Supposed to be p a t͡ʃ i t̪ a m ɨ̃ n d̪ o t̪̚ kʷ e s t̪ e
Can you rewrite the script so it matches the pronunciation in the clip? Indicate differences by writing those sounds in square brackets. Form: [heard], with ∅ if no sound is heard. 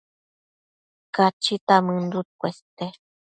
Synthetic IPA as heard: [k] a t͡ʃ i t̪ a m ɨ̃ n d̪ [u] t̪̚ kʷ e s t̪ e